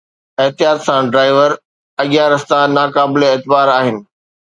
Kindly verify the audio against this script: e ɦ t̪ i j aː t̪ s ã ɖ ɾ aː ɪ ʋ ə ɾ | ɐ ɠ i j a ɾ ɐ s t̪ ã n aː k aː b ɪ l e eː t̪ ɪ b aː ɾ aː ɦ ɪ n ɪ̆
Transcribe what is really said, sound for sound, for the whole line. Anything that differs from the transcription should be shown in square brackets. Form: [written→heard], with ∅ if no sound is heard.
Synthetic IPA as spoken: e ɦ t̪ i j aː t̪ s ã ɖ ɾ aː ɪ ʋ ə ɾ | ɐ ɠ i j a ɾ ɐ s t̪ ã n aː k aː b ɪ l e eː t̪ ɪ b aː ɾ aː ɦ ɪ n ɪ̆